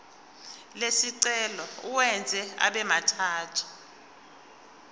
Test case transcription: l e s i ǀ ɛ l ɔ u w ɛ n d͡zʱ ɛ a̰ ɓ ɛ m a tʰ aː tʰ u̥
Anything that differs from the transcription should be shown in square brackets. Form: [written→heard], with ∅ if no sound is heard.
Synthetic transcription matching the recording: l e s i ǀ ɛ l ɔ u w ɛ n d͡zʱ ɛ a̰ ɓ ɛ m a tʰ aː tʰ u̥